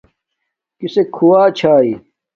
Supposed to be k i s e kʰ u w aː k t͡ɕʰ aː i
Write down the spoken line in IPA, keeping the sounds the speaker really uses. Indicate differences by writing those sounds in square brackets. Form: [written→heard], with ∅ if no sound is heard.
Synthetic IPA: k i s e kʰ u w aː [k→∅] t͡ɕʰ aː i